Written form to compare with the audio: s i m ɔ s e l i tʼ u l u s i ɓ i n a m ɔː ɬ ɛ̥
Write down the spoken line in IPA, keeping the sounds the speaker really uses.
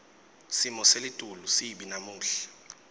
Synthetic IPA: s i m ɔ s e l i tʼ u l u s i ɓ i n a m uː ɬ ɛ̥